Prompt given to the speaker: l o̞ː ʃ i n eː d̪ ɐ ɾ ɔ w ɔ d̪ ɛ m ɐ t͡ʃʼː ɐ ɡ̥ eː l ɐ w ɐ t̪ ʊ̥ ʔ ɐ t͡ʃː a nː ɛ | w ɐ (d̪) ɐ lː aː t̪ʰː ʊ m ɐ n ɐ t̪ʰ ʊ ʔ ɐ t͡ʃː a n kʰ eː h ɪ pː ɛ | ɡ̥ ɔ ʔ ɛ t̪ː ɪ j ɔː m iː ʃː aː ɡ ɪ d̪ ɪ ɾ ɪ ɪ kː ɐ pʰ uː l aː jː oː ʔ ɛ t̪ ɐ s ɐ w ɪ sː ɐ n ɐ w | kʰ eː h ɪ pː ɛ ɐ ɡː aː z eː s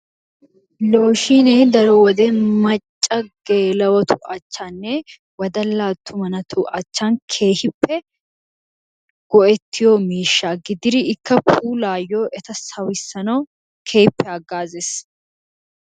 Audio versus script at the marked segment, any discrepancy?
no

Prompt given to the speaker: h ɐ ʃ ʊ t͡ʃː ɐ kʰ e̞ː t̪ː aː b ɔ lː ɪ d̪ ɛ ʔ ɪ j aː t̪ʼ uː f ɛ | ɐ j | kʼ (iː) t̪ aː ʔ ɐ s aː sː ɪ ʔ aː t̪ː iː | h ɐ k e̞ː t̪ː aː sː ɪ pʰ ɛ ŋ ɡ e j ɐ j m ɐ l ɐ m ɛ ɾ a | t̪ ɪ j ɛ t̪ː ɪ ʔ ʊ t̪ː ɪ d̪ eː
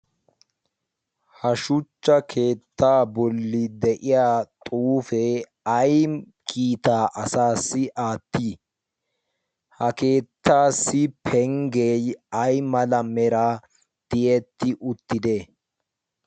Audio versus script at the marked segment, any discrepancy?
no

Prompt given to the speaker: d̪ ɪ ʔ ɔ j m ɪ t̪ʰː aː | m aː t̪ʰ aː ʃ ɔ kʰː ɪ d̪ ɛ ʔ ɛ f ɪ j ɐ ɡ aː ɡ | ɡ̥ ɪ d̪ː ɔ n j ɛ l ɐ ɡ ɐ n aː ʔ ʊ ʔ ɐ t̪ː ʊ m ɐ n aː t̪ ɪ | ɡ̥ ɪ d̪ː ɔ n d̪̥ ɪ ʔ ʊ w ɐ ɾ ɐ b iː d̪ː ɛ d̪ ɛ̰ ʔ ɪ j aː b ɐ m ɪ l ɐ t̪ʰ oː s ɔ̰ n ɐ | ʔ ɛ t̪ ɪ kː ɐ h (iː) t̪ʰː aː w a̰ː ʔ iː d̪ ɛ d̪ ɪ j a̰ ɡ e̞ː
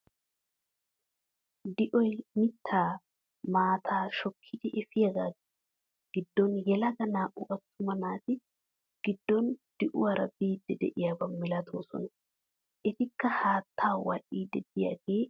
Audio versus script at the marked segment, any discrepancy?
yes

